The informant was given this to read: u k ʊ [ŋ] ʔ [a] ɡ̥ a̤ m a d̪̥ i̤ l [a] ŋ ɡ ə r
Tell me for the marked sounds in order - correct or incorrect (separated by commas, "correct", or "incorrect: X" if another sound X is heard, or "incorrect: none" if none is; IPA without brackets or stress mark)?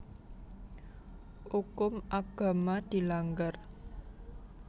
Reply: incorrect: m, correct, correct